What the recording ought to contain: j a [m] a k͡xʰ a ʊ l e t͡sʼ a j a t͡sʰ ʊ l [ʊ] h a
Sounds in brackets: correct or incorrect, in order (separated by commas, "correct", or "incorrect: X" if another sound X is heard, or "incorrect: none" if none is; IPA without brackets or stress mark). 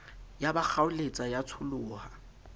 incorrect: b, incorrect: ʊː